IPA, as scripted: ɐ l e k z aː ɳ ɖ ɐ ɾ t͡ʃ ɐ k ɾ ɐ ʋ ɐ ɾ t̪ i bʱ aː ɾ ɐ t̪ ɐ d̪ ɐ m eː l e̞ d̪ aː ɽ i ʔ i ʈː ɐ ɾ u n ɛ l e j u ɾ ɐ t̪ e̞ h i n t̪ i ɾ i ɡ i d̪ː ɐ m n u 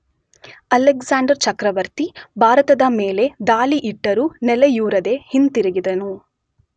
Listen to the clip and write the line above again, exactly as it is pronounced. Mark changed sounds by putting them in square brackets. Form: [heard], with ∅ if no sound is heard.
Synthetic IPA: ɐ l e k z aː ɳ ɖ ɐ ɾ t͡ʃ ɐ k ɾ ɐ ʋ ɐ ɾ t̪ i bʱ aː ɾ ɐ t̪ ɐ d̪ ɐ m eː l e̞ d̪ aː [l] i ʔ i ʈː ɐ ɾ u n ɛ l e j [uː] ɾ ɐ [d̪] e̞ h i n t̪ i ɾ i ɡ i [d̪] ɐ [∅] n u